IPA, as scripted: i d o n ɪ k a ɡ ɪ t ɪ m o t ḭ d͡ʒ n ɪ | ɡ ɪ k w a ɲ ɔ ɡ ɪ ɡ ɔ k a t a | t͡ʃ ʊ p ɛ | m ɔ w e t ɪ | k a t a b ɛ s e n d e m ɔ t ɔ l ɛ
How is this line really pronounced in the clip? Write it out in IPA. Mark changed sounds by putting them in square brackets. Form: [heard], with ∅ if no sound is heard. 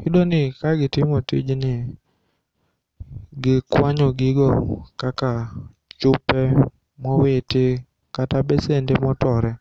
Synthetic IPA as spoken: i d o n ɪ k a ɡ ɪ t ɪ m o t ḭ d͡ʒ n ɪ | ɡ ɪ k w a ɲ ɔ ɡ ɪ ɡ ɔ k a [k] a | t͡ʃ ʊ p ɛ | m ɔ w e t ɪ | k a t a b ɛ s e n d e m ɔ t ɔ [ɾ] ɛ